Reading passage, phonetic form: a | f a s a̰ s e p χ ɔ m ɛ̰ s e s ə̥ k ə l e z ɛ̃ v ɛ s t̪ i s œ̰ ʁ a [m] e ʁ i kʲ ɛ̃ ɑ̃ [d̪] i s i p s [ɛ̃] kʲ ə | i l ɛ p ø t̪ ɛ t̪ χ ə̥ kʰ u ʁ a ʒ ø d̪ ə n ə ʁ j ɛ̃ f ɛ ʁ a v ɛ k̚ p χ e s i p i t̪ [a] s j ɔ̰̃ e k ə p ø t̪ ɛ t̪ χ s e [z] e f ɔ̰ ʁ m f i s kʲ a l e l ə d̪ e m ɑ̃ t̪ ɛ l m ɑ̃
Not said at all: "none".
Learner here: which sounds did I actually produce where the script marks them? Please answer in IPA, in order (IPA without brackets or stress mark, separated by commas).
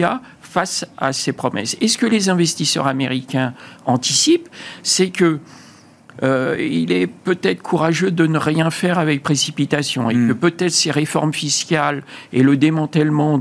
m, t̪, ɛ, a, ʁ